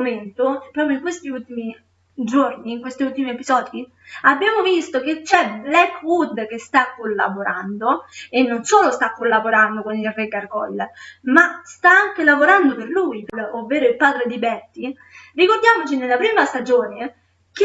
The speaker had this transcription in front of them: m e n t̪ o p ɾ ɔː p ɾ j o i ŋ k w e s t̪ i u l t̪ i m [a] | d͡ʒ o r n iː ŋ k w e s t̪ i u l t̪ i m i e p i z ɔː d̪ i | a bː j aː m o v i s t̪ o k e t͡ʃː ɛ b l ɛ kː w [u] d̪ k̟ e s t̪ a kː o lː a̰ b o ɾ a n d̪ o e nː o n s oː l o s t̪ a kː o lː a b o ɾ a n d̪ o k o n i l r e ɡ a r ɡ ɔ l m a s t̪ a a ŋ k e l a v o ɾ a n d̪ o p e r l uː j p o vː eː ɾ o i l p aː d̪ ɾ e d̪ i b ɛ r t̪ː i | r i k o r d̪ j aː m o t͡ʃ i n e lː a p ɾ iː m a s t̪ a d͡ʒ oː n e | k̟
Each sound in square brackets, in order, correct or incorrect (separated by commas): incorrect, correct